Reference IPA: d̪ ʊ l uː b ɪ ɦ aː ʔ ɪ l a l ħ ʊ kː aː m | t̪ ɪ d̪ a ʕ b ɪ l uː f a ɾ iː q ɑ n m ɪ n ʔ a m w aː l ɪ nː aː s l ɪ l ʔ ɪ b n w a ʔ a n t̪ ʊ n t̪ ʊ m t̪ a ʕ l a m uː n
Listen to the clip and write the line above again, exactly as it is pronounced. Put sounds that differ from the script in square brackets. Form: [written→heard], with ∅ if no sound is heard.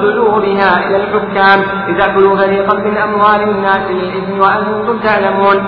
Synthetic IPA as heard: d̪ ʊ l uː b ɪ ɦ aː ʔ ɪ l a l ħ ʊ kː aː m | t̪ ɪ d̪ a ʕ b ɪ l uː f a ɾ iː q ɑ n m ɪ n ʔ a m w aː l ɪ nː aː s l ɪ l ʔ ɪ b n w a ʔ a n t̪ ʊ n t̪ ʊ m t̪ a ʕ l a m uː n